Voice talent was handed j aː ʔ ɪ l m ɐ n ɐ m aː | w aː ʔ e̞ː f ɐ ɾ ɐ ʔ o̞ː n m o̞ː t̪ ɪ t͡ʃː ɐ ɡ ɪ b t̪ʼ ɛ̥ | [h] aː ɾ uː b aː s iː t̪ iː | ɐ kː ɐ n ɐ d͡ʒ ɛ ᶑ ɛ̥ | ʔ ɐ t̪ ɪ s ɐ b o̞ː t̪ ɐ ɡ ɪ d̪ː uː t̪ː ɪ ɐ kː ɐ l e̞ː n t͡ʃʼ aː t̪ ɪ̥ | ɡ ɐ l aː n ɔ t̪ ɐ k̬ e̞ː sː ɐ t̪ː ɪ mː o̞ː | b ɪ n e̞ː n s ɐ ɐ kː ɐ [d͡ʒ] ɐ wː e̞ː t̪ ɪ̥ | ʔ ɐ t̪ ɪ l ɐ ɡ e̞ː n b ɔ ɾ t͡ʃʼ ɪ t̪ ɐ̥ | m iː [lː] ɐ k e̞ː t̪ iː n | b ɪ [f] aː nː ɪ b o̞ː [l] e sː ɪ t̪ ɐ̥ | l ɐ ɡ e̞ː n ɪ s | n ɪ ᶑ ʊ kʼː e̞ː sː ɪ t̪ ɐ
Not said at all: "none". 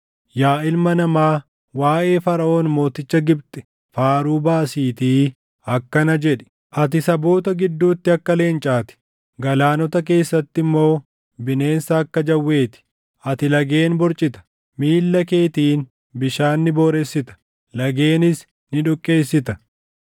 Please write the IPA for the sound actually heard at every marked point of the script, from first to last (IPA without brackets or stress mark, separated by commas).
f, d͡ʒ, lː, ʃ, ɾ